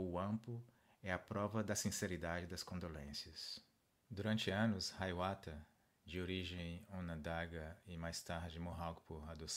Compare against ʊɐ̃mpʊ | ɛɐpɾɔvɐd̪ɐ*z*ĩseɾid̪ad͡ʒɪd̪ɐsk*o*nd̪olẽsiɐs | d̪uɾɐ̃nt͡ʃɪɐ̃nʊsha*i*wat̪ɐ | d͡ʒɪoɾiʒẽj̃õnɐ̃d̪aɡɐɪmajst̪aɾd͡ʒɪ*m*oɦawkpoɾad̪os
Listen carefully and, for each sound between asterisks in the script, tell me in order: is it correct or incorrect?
incorrect: s, incorrect: õ, incorrect: j, correct

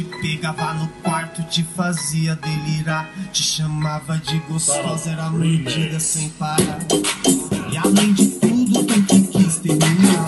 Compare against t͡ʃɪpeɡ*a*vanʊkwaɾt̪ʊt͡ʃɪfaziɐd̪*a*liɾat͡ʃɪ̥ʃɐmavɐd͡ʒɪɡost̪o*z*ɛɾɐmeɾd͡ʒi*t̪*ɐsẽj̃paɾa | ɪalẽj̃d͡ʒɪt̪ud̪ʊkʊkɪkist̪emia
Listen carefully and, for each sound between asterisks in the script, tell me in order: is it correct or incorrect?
correct, incorrect: e, correct, incorrect: d̪

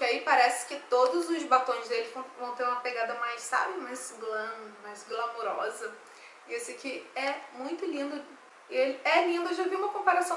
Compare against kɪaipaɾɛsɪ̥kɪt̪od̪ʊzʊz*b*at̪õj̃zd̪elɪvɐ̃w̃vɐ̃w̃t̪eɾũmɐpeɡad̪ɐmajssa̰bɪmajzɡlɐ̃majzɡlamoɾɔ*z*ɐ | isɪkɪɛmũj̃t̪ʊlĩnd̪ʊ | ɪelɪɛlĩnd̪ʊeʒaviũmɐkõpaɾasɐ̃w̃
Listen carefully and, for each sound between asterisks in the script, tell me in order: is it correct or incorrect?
correct, correct

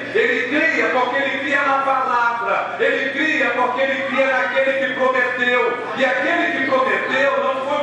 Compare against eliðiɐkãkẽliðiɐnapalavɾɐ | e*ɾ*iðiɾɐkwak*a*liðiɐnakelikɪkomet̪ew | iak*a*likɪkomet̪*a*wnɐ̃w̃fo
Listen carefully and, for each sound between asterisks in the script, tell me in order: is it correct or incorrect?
incorrect: l, incorrect: e, incorrect: e, incorrect: e

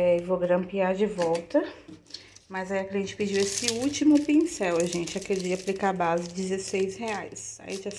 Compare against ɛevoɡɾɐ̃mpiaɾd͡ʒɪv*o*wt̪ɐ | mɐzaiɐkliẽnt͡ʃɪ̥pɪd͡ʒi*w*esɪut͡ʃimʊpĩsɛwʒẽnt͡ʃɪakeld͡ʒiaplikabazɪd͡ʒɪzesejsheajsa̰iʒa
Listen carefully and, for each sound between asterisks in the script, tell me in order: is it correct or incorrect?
incorrect: ɔ, correct

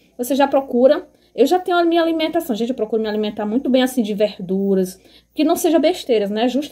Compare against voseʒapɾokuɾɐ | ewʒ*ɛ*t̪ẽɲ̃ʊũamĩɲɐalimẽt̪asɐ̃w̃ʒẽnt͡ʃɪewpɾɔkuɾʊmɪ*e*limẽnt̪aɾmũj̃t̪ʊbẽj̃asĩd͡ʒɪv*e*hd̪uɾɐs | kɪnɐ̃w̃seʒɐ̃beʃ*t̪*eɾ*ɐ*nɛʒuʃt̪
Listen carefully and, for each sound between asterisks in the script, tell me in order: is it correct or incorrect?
incorrect: a, incorrect: a, correct, correct, correct

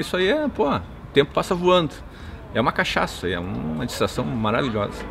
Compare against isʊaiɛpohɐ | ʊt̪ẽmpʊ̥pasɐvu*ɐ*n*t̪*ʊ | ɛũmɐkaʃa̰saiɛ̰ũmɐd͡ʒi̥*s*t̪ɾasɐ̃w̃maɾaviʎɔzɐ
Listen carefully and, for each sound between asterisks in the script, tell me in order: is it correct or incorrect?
incorrect: ɐ̃, incorrect: d̪, correct

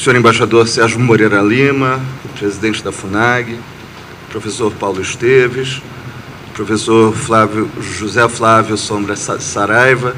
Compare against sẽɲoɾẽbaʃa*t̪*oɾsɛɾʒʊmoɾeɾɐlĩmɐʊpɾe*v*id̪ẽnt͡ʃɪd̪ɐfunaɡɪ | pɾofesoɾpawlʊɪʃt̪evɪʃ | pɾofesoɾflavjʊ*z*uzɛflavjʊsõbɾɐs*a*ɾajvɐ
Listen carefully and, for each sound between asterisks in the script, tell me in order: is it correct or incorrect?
incorrect: d̪, incorrect: z, incorrect: ʒ, correct

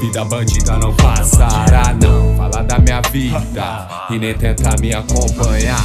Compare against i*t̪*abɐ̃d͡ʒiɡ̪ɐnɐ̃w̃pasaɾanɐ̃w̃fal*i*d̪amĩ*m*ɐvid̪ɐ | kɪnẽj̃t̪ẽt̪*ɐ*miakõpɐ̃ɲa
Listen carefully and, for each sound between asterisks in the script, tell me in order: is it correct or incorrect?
incorrect: d̪, incorrect: a, incorrect: ɲ, incorrect: a

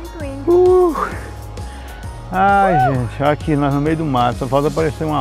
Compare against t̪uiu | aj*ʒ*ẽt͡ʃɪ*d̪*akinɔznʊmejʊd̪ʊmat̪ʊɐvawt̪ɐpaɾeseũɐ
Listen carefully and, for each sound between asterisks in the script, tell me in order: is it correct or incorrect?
correct, incorrect: none

